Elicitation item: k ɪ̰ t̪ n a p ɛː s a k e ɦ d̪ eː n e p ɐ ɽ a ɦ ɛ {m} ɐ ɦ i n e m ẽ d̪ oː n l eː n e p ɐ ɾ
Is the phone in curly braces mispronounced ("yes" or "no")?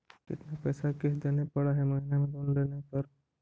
no